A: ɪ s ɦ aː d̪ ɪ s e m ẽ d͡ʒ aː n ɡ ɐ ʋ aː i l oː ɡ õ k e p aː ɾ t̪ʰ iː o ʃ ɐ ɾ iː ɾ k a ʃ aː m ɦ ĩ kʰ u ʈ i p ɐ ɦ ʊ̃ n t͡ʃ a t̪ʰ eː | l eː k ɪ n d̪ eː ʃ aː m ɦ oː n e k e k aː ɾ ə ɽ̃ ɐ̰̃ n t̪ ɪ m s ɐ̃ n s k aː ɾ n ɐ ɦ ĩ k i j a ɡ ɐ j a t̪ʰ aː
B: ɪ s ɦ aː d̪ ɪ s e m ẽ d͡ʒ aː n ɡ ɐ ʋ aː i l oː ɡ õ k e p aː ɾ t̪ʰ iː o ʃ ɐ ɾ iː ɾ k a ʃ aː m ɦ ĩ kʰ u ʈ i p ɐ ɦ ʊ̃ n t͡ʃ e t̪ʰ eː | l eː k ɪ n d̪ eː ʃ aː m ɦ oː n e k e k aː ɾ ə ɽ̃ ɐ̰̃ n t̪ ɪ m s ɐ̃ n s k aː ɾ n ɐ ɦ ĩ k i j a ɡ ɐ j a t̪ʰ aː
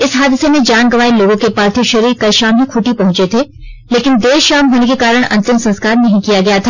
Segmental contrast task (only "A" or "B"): B